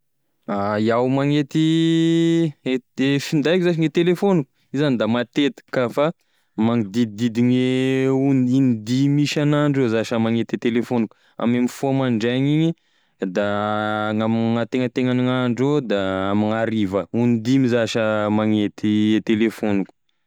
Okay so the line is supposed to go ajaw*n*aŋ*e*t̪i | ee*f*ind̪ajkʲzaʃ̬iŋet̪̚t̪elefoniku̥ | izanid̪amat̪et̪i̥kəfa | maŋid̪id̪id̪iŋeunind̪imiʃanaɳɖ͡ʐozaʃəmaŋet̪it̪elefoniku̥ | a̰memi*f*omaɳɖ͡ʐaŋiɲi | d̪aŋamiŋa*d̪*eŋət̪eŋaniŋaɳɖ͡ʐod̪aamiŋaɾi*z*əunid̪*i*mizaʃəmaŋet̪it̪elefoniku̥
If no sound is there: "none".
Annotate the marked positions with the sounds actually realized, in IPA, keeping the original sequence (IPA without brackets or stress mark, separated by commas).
m, e, f, f, t̪, v, i